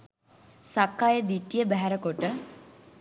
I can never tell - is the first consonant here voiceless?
yes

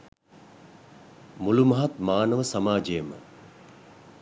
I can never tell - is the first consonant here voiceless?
no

